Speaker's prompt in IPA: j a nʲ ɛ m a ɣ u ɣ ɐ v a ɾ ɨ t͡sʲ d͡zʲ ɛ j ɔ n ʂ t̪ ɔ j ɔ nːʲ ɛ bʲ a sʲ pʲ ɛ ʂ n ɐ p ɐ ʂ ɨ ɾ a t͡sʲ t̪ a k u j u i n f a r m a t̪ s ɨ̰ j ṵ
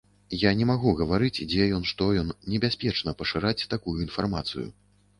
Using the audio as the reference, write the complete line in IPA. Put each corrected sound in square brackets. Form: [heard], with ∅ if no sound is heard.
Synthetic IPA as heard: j a nʲ ɛ m a ɣ u ɣ ɐ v a ɾ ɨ t͡sʲ d͡zʲ ɛ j ɔ n ʂ t̪ ɔ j ɔ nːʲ ɛ bʲ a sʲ pʲ ɛ [t͡ʂ] n ɐ p ɐ ʂ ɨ ɾ a t͡sʲ t̪ a k u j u i n f a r m a t̪ s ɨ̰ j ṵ